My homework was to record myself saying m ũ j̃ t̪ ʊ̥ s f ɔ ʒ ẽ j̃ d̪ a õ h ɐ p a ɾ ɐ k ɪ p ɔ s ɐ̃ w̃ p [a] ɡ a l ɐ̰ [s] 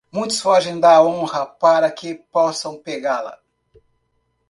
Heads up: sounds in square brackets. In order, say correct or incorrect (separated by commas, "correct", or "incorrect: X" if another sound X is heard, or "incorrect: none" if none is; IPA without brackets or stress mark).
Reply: incorrect: e, incorrect: none